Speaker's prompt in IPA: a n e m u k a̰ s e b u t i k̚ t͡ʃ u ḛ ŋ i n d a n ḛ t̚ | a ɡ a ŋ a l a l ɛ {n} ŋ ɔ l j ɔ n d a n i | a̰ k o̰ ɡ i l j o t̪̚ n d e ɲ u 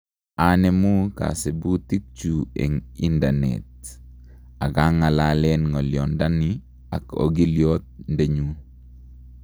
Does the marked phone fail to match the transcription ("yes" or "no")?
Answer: no